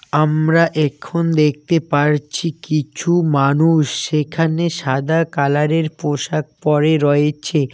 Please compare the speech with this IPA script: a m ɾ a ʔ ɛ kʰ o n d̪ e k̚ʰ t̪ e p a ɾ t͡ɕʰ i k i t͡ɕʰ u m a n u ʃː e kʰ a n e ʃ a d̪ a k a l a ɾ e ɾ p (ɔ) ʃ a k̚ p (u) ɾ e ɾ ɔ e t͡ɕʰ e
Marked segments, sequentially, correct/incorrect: incorrect, incorrect

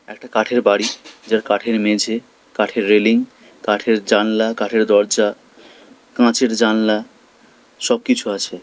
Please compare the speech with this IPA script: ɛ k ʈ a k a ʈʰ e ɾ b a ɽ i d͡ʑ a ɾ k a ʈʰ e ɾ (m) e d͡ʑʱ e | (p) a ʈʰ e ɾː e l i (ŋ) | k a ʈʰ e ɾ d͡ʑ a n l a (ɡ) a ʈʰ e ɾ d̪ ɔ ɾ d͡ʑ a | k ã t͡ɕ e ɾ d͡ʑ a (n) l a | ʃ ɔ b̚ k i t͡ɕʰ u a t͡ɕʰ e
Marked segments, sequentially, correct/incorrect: correct, incorrect, correct, incorrect, correct

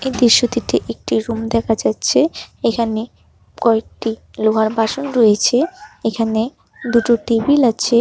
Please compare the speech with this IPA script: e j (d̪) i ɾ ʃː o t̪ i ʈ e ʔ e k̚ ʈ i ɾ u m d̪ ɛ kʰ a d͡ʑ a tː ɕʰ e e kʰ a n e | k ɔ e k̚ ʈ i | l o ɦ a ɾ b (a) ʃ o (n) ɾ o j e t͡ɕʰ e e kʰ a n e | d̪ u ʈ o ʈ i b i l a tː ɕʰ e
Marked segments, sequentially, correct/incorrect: correct, correct, correct

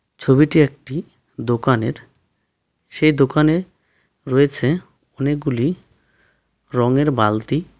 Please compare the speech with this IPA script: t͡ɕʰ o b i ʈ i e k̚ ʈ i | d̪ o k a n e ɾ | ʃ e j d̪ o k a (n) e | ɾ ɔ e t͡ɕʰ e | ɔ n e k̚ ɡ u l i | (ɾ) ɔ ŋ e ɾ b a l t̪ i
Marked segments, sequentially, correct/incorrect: correct, correct

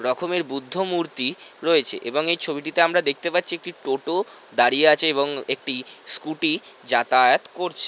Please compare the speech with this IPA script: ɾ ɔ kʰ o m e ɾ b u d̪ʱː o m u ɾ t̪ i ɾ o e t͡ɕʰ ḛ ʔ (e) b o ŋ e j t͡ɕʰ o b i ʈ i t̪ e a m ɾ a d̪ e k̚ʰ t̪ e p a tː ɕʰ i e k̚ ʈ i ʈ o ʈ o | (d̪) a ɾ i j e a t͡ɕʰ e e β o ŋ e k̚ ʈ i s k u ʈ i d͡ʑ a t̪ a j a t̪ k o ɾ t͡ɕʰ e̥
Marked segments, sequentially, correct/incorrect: correct, correct

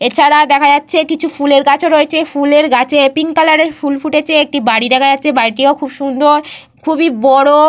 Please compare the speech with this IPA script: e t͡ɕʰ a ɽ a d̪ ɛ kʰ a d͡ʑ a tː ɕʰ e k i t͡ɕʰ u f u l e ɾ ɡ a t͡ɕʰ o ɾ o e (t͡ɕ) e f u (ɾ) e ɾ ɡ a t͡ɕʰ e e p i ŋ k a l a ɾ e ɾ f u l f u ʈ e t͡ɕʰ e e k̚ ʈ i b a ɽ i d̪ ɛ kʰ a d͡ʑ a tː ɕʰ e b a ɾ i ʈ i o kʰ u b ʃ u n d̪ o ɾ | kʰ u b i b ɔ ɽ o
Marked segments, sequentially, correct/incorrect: incorrect, incorrect

